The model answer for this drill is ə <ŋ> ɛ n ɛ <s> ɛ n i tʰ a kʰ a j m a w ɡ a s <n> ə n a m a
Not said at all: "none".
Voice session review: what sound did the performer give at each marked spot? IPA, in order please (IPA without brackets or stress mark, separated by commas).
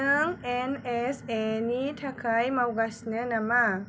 ŋ, s, n